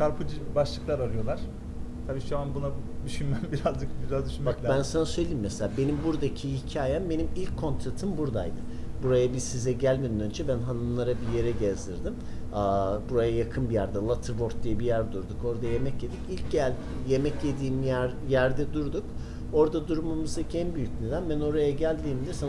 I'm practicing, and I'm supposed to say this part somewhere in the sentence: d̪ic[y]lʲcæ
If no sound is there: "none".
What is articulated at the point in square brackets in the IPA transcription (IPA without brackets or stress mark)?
i